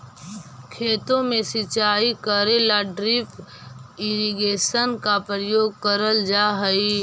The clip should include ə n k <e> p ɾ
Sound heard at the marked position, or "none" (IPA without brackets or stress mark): a